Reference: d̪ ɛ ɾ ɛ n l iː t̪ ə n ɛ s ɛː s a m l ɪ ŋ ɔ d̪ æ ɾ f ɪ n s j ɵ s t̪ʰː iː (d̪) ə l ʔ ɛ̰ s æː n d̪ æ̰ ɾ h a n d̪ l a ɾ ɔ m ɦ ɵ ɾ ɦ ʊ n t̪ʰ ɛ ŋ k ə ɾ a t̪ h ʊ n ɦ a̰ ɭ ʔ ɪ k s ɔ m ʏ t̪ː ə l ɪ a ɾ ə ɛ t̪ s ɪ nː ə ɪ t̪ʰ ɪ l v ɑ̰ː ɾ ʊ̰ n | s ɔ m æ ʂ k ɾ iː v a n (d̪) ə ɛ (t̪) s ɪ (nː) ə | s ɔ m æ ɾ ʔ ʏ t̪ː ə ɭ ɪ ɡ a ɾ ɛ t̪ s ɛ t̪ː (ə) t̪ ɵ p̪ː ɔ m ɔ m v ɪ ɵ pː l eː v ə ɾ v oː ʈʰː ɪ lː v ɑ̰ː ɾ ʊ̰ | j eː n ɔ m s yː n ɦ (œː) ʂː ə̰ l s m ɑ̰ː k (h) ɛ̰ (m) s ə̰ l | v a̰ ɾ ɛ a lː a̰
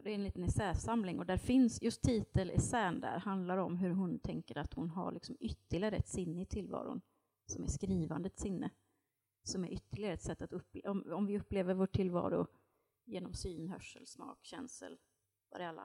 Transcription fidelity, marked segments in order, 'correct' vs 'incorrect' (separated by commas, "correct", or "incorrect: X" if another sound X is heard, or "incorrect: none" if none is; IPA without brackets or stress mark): incorrect: t̪, correct, correct, correct, incorrect: a, incorrect: œ, incorrect: ɕ, incorrect: n